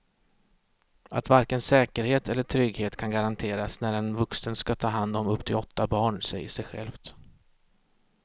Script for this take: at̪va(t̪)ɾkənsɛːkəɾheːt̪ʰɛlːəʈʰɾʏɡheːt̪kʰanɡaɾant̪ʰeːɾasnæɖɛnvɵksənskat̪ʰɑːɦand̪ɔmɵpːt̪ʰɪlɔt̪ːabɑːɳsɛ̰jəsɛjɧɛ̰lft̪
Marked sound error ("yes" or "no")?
yes